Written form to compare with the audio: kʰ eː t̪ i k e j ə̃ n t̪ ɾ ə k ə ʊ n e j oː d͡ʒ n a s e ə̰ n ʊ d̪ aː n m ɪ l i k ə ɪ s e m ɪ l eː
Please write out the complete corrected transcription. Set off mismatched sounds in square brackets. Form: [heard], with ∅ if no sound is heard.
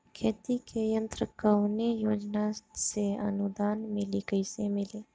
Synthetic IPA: kʰ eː t̪ i k e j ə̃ n t̪ ɾ ə k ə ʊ n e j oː d͡ʒ n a s e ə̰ n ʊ d̪ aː n m ɪ l i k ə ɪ s e m ɪ l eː